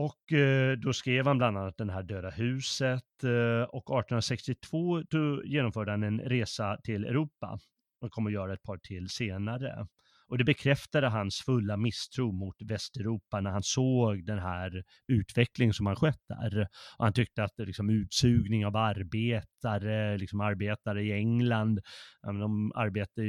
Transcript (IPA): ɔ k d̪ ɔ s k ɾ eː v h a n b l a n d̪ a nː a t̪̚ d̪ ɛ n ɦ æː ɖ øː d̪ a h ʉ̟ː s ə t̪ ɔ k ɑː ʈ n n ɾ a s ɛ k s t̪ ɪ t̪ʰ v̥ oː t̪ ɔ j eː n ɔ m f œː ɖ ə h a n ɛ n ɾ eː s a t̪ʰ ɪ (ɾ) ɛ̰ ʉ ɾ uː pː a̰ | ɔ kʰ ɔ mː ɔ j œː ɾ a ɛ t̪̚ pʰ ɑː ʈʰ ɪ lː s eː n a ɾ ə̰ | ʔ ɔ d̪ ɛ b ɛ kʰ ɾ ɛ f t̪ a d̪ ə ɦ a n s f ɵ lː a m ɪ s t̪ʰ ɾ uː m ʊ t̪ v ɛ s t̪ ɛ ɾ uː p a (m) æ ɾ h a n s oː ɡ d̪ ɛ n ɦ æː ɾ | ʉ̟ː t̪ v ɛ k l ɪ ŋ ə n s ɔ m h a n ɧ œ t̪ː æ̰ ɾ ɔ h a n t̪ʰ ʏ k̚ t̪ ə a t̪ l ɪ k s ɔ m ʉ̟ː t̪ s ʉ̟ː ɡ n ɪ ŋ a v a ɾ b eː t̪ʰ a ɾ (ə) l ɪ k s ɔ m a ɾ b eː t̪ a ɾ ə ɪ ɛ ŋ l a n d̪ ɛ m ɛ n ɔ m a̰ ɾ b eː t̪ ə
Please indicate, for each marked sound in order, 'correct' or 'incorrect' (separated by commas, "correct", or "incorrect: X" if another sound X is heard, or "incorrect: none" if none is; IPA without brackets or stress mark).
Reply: incorrect: l, incorrect: n, correct